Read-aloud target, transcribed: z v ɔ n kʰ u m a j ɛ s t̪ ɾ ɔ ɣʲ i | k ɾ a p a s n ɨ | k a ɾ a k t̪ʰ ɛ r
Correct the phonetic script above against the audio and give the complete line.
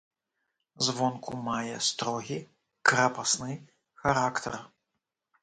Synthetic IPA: z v ɔ n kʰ u m a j ɛ s t̪ ɾ ɔ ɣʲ i | k ɾ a p a s n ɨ | x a ɾ a k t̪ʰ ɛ r